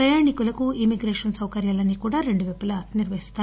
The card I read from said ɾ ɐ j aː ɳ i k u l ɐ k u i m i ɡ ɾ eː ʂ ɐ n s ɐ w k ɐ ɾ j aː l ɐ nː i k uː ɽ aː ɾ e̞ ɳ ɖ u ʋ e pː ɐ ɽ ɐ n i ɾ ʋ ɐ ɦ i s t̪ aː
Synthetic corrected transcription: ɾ ɐ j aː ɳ i k u l ɐ k u i m i ɡ ɾ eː ʂ ɐ n s ɐ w k ɐ ɾ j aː l ɐ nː i k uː ɽ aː ɾ e̞ ɳ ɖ u ʋ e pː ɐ l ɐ n i ɾ ʋ ɐ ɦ i s t̪ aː